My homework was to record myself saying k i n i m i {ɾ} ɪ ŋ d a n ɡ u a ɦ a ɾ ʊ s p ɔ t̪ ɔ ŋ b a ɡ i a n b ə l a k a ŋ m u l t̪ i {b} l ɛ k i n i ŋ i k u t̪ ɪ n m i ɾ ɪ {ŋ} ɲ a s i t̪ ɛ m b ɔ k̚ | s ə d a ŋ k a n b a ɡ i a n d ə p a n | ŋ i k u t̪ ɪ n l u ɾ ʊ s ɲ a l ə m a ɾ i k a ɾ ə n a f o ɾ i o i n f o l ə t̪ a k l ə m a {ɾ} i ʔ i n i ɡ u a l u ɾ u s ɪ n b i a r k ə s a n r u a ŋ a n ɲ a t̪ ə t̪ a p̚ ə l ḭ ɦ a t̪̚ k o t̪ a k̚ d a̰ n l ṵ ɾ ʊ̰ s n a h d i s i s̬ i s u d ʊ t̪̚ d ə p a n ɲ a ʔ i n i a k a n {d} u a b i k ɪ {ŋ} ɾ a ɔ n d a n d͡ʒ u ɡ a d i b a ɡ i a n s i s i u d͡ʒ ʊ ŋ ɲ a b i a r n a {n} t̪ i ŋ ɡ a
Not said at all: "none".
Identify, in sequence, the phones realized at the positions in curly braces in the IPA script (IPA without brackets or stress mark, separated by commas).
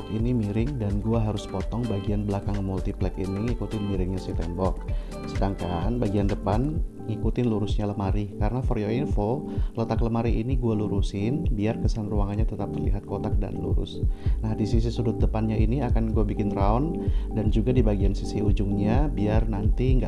ɾ, p, ŋ, ɾ, ɡ, n, n